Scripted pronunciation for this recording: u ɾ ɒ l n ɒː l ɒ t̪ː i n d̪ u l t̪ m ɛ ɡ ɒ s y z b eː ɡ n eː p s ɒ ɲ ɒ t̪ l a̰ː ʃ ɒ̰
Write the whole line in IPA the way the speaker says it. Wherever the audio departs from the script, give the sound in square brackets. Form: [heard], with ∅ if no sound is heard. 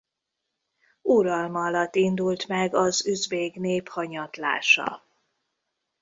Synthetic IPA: u ɾ ɒ l [m] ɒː l ɒ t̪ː i n d̪ u l t̪ m ɛ ɡ ɒ [z] y z b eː ɡ n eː p [h] ɒ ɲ ɒ t̪ l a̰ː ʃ ɒ̰